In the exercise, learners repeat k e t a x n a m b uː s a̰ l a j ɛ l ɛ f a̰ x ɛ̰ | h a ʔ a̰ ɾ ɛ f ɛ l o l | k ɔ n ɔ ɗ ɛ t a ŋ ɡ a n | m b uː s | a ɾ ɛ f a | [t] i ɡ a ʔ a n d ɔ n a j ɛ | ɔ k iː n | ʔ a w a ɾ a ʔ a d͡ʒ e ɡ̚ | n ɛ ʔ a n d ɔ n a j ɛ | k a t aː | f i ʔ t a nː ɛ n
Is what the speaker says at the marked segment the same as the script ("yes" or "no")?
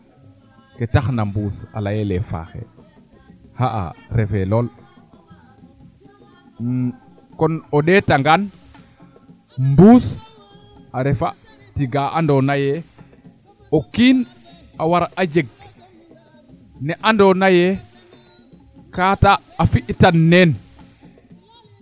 yes